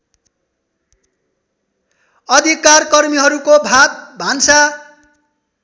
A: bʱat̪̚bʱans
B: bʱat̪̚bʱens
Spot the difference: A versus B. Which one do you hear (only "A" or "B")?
A